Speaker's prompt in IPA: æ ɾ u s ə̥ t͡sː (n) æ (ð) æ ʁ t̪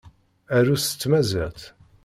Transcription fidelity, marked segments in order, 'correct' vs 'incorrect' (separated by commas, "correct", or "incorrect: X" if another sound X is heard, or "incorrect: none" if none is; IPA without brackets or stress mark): incorrect: m, incorrect: z